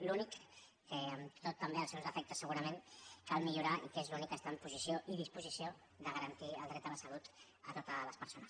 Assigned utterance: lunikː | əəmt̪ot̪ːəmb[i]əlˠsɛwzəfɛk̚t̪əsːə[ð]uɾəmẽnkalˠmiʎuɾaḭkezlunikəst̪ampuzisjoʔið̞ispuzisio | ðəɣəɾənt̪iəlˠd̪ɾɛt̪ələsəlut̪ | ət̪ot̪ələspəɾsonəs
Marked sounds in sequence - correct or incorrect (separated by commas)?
incorrect, incorrect